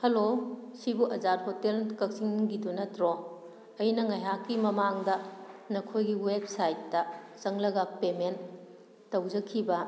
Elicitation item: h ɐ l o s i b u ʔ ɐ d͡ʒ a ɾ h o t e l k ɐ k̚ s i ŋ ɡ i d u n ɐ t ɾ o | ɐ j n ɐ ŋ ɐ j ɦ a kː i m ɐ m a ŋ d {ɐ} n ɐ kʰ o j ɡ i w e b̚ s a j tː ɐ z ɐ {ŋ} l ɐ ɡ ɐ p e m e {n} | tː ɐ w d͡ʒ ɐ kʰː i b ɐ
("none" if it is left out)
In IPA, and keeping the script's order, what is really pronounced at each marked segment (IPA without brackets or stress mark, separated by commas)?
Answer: ɐ, ŋ, n